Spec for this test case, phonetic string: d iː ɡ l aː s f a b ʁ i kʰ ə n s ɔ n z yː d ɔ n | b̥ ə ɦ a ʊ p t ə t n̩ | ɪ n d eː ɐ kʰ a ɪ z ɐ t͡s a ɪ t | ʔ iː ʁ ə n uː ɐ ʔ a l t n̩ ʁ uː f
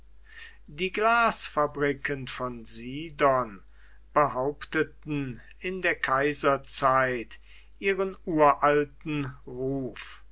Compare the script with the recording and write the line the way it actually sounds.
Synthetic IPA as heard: d iː ɡ l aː s f a b ʁ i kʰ ə n f ɔ n z iː d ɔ n | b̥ ə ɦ a ʊ p t ə t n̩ | ɪ n d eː ɐ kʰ a ɪ z ɐ t͡s a ɪ t | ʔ iː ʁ ə n uː ɐ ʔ a l t n̩ ʁ uː f